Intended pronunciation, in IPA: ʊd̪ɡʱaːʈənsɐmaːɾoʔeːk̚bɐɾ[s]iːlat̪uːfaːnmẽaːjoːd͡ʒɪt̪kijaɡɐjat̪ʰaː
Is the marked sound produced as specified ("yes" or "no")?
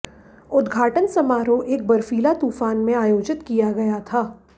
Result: no